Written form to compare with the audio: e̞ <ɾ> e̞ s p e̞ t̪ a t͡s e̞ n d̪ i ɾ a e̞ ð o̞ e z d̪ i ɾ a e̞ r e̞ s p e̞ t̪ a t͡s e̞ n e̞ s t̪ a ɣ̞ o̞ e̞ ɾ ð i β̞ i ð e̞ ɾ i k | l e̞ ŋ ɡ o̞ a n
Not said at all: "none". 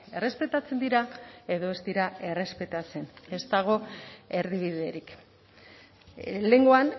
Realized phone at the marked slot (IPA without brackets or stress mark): r